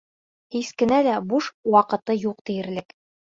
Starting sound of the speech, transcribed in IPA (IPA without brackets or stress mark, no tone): h